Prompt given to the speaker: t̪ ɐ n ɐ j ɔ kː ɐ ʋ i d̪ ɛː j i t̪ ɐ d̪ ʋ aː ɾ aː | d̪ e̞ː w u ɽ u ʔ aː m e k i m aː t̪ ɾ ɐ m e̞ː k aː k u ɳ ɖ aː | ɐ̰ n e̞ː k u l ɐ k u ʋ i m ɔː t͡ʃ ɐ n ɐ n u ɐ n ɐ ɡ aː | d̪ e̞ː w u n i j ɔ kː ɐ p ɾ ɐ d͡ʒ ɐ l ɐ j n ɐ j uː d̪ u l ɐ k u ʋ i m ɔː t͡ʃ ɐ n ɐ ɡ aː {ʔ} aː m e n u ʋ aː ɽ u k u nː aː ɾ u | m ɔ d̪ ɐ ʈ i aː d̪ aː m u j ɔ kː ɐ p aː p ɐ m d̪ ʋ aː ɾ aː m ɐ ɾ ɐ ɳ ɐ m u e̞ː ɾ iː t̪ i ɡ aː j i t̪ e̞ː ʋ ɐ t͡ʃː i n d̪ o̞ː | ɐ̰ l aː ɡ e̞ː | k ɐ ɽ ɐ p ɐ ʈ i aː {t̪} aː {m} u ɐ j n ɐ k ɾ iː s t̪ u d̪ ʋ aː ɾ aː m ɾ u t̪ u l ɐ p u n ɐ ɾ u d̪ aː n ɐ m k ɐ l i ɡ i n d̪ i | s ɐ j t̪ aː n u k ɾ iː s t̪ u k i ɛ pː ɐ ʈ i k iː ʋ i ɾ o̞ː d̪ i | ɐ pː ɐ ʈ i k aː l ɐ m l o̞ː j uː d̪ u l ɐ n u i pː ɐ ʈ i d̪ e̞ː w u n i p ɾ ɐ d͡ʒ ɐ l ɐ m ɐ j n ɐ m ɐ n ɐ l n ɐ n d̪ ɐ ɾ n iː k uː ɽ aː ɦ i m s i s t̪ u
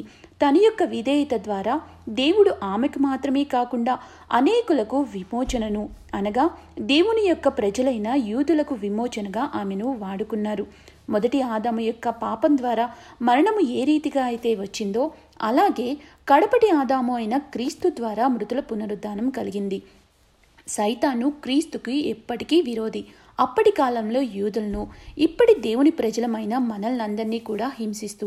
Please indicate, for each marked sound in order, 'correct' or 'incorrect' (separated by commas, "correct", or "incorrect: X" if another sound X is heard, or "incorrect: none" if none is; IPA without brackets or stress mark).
correct, incorrect: d̪, correct